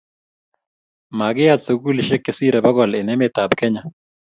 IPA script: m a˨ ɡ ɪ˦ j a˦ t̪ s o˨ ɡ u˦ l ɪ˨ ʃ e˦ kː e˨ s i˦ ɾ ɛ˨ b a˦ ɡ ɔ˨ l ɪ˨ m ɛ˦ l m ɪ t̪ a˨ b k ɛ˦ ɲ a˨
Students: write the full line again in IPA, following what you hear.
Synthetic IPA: m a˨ ɡ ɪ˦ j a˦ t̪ s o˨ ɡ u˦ l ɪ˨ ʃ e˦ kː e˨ s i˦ ɾ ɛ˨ b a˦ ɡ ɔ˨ l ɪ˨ n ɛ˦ m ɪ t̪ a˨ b k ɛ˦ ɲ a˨